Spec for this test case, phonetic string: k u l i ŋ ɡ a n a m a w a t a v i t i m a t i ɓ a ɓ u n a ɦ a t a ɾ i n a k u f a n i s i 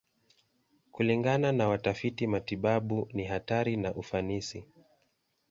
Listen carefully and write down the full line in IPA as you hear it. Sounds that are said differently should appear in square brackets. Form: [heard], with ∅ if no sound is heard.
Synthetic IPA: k u l i ŋ ɡ a n a [n] a w a t a [f] i t i m a t i ɓ a ɓ u n [i] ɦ a t a ɾ i n a [ʔ] u f a n i s i